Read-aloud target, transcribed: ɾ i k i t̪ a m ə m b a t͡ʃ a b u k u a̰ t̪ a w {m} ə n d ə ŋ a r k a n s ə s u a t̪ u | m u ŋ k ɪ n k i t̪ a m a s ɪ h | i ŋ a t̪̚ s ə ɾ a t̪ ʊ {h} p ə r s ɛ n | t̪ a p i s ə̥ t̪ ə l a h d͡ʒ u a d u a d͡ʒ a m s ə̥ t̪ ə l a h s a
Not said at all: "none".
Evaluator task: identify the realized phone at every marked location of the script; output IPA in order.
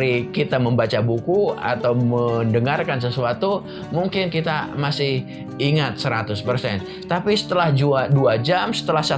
m, s

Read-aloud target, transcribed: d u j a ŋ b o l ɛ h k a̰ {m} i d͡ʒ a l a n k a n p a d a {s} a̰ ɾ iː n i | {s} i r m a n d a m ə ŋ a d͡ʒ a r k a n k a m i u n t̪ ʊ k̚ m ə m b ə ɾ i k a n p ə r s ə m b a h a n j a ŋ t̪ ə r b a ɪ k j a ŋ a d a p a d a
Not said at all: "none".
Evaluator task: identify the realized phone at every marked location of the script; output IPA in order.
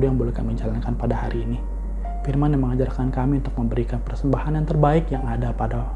m, h, f

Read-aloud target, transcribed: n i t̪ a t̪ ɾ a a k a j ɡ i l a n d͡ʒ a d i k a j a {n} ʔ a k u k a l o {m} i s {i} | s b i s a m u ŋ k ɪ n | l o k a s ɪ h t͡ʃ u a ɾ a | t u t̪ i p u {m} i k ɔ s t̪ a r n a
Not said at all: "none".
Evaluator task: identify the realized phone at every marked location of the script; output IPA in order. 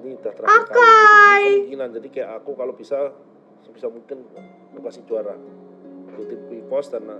none, b, a, none

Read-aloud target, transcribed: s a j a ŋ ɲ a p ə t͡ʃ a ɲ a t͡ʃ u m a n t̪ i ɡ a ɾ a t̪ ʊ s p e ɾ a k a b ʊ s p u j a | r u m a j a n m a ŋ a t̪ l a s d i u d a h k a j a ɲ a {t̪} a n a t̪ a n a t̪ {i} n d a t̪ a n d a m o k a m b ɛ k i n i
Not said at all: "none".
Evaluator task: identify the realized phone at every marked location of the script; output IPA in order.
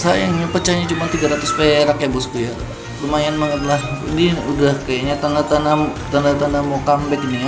t̪, a

